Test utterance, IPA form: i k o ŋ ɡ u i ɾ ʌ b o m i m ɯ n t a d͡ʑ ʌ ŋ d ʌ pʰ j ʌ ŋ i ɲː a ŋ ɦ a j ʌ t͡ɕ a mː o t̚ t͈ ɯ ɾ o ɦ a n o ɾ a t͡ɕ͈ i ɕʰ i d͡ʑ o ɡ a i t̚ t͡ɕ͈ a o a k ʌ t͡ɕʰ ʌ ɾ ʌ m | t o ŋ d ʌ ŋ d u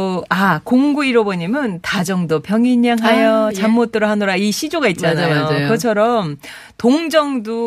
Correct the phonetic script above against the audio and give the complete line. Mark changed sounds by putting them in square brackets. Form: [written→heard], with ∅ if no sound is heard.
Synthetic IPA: [i→a] k o ŋ ɡ u i ɾ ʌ b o [m→ɲ] i m ɯ n t a d͡ʑ ʌ ŋ d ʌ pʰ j ʌ ŋ i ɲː a ŋ ɦ a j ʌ t͡ɕ a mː o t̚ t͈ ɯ ɾ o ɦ a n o ɾ a [t͡ɕ͈→∅] i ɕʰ i d͡ʑ o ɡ a i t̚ t͡ɕ͈ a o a k ʌ t͡ɕʰ ʌ ɾ ʌ m | t o ŋ [d→d͡ʑ] ʌ ŋ d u